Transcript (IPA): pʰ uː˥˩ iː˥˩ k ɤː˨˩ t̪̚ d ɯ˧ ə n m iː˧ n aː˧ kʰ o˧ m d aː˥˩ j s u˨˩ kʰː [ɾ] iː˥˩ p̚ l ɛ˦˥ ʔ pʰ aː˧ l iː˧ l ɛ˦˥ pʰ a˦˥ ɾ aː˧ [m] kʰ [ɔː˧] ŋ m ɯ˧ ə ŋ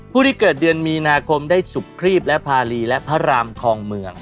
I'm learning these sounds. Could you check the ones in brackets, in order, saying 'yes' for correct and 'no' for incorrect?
yes, yes, yes

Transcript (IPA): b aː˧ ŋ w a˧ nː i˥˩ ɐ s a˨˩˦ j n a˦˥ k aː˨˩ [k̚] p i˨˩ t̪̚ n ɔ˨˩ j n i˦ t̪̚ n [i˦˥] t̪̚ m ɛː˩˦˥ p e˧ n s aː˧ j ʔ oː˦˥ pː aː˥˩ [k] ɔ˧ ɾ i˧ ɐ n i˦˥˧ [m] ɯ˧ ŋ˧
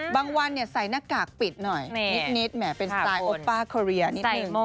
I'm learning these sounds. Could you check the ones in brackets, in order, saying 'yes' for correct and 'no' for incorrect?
yes, yes, no, no

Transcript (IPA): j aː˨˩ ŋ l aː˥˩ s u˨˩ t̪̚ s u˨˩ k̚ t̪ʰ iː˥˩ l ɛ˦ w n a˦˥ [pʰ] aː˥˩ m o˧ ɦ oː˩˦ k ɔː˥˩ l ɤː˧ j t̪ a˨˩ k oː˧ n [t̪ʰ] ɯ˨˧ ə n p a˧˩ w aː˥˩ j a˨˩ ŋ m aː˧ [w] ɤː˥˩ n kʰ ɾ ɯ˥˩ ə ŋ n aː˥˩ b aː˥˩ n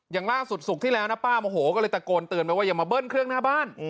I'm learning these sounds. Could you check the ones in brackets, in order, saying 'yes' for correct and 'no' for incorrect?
no, no, no

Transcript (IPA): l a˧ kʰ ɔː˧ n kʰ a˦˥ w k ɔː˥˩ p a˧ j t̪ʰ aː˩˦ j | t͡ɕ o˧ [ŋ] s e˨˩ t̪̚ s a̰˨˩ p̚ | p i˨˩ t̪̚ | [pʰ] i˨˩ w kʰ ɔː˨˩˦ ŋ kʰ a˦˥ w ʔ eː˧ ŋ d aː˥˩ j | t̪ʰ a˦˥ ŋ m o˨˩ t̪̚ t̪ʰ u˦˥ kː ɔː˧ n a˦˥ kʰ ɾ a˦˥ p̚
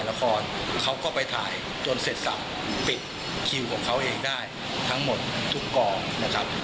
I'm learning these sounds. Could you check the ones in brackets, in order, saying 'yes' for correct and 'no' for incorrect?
no, no

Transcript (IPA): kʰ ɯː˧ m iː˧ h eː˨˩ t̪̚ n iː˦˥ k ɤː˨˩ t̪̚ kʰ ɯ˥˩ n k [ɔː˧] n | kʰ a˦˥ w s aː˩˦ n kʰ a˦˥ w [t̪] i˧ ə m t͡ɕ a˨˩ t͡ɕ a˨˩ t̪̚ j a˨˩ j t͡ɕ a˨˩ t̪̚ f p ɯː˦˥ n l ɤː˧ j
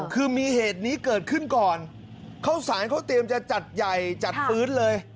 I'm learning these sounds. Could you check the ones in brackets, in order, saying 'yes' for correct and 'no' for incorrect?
no, yes

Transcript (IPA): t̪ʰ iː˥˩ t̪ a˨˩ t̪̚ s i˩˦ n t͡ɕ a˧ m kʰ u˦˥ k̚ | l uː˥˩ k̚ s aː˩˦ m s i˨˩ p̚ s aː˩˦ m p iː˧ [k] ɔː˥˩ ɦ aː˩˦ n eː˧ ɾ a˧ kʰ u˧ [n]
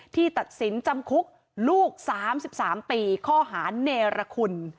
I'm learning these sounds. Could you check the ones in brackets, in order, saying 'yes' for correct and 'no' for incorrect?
no, yes

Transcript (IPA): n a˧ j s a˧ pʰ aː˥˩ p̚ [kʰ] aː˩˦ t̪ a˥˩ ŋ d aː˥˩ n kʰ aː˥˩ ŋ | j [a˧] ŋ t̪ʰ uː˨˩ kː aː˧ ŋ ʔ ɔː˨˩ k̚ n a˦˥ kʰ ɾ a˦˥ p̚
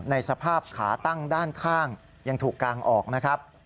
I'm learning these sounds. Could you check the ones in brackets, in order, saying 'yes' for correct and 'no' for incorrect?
yes, yes

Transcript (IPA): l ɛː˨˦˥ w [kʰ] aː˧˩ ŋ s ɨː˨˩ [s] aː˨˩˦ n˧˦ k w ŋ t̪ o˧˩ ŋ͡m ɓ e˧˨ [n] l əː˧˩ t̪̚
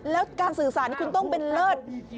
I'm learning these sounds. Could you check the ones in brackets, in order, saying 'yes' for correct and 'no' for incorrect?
no, yes, yes

